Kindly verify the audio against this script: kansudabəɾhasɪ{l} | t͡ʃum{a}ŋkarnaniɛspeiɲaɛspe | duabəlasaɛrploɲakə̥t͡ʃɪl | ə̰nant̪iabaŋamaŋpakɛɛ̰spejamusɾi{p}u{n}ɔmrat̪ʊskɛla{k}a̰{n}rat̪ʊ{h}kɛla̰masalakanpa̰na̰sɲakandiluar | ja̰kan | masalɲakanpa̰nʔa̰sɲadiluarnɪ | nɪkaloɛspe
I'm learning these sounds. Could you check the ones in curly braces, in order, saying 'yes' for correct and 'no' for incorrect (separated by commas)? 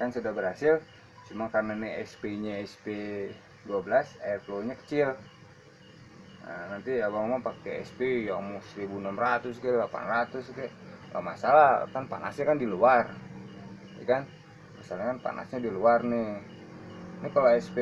yes, yes, no, yes, no, yes, no